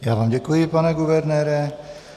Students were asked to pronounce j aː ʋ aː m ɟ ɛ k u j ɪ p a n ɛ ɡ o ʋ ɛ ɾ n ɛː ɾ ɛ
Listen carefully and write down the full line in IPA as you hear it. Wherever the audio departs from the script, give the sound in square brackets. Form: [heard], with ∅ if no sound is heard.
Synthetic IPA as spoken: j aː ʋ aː m ɟ ɛ k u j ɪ p a n ɛ ɡ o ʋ ɛ ɾ n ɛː ɾ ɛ